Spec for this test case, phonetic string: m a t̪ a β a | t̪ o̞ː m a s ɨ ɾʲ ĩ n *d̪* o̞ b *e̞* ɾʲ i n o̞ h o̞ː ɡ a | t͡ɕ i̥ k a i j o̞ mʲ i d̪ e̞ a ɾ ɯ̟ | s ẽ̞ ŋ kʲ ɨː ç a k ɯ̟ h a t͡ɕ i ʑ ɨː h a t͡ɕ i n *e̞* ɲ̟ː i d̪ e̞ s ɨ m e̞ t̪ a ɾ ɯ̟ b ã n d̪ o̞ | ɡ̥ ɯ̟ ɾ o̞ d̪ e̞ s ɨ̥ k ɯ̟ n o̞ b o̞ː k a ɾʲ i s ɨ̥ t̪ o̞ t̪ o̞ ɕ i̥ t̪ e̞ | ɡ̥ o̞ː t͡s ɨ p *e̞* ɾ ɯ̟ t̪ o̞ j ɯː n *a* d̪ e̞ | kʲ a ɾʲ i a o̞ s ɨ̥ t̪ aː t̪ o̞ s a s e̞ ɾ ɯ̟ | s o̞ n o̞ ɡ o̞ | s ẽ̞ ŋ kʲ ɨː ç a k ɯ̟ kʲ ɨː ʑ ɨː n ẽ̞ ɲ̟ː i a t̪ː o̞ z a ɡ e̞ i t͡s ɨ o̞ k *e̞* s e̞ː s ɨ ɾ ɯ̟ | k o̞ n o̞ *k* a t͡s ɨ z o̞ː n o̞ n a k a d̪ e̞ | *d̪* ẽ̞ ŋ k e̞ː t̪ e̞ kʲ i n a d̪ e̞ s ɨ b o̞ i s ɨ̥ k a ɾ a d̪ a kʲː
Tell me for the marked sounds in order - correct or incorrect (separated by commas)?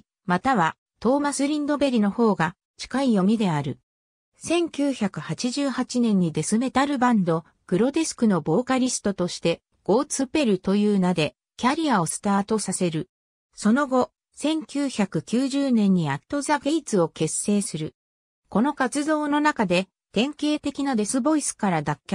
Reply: correct, correct, incorrect, correct, correct, correct, correct, incorrect